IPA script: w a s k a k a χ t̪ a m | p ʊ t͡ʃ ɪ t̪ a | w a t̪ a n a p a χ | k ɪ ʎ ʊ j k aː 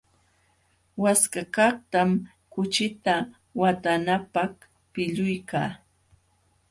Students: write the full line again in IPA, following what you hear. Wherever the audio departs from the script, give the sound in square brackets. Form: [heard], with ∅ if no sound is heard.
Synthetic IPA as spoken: w a s k a k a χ t̪ a m | [k] ʊ t͡ʃ ɪ t̪ a | w a t̪ a n a p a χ | [p] ɪ ʎ ʊ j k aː